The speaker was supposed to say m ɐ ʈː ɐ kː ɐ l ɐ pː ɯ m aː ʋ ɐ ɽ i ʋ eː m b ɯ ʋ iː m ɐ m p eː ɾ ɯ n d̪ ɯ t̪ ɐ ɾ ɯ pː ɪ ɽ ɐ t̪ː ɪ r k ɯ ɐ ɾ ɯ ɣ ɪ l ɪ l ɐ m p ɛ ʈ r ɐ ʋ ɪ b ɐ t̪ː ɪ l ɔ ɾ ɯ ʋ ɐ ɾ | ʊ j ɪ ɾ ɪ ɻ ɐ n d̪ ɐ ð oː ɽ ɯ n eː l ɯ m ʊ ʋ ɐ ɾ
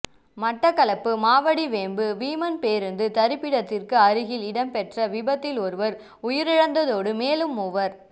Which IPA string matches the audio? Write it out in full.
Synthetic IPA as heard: m ɐ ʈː ɐ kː ɐ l ɐ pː ɯ m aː ʋ ɐ ɽ i ʋ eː m b ɯ ʋ iː m ɐ n p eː ɾ ɯ n d̪ ɯ t̪ ɐ ɾ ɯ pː ɪ ɽ ɐ t̪ː ɪ r k ɯ ɐ ɾ ɯ ɣ ɪ l ɪ ɽ ɐ m p ɛ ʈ r ɐ ʋ ɪ b ɐ t̪ː ɪ l ɔ ɾ ɯ ʋ ɐ ɾ | ʊ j ɪ ɾ ɪ ɻ ɐ n d̪ ɐ ð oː ɽ ɯ m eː l ɯ m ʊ ʋ ɐ ɾ